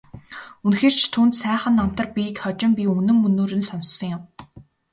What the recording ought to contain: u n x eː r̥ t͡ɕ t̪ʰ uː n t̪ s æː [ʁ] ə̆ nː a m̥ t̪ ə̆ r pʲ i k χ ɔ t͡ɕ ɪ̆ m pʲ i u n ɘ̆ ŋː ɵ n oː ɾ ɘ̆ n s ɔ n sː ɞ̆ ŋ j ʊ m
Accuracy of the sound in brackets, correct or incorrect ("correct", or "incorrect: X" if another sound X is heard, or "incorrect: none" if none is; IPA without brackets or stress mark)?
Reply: incorrect: χ